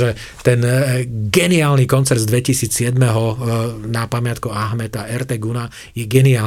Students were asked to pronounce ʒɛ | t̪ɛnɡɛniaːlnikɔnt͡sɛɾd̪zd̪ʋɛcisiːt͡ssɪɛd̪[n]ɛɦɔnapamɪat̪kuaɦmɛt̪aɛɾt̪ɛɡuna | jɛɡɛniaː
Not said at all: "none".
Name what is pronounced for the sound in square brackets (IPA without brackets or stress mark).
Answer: m